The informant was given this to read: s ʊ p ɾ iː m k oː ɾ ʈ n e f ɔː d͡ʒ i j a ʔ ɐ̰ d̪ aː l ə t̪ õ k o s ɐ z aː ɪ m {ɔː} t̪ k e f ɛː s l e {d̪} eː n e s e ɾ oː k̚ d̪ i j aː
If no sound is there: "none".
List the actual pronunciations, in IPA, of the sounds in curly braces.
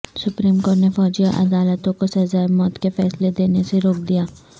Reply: ɔː, d̪

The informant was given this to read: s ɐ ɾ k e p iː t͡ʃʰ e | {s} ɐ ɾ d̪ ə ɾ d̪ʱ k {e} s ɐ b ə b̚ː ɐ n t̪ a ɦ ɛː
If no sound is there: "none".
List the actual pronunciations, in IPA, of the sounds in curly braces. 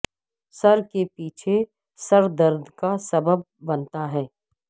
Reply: s, a

